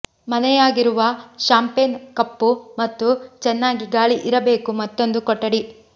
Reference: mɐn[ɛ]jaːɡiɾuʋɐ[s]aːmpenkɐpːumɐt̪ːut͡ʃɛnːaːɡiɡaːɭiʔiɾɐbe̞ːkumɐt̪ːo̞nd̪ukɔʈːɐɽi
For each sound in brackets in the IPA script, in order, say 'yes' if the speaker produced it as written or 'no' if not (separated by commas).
yes, no